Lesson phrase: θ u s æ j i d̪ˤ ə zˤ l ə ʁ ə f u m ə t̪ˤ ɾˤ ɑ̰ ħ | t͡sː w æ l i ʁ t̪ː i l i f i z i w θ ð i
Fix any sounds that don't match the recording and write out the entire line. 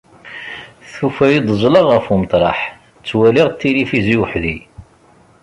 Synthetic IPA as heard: θ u f æ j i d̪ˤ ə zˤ l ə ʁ ə f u m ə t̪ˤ ɾˤ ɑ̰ ħ | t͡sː w æ l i ʁ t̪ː i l i f i z i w ħ ð i